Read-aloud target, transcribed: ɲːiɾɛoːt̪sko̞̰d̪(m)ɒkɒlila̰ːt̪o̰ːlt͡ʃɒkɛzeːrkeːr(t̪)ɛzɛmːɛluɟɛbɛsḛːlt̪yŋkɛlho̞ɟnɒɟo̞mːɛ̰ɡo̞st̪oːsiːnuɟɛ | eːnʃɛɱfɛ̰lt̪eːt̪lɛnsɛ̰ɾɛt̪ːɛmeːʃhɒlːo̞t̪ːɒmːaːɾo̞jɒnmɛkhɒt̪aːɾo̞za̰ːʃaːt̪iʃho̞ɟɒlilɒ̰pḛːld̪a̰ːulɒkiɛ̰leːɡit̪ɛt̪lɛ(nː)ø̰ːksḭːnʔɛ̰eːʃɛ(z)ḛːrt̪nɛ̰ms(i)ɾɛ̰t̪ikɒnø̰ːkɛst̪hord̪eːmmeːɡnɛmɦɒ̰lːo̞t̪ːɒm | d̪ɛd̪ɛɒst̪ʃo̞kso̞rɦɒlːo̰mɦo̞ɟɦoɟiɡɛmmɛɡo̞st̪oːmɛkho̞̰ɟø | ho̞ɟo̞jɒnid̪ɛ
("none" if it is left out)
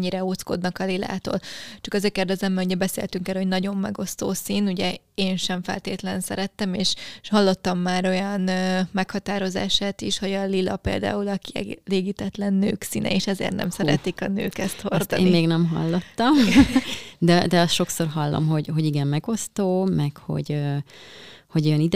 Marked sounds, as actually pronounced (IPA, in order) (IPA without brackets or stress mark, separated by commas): n, d̪, nː, z, ɛ